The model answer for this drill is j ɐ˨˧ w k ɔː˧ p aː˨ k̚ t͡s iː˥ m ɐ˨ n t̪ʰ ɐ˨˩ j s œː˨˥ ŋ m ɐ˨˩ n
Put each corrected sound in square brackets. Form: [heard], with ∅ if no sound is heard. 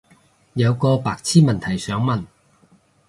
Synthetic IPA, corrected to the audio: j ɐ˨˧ w k ɔː˧ p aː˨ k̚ [t͡sʰ] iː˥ m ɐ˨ n t̪ʰ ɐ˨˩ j s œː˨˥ ŋ m ɐ˨˩ n